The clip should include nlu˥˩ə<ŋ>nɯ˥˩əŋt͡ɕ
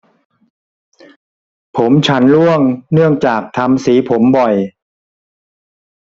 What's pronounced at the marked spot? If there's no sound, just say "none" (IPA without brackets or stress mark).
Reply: ŋ